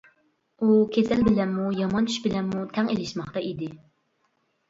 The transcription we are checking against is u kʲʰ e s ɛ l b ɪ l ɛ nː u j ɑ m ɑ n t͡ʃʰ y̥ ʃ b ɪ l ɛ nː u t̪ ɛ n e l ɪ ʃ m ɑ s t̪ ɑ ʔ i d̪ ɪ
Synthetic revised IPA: u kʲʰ e s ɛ l b ɪ l ɛ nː u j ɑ m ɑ n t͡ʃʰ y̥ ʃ b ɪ l ɛ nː u t̪ʰ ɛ ŋ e l ɪ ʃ m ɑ χ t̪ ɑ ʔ i d̪ ɪ